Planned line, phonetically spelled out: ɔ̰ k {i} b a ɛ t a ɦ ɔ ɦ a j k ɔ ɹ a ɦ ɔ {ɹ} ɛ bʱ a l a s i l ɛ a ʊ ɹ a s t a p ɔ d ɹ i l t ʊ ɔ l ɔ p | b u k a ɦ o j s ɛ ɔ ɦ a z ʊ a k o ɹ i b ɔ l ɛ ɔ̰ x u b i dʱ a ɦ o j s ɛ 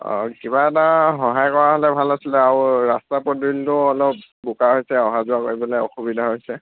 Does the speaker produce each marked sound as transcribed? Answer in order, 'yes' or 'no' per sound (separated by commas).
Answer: yes, no